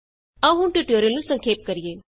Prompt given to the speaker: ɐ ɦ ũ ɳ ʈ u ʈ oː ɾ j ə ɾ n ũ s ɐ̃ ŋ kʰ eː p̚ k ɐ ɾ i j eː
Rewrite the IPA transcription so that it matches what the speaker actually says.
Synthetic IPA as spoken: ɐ ɦ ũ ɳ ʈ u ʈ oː ɾ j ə l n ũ s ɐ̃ ŋ kʰ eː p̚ k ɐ ɾ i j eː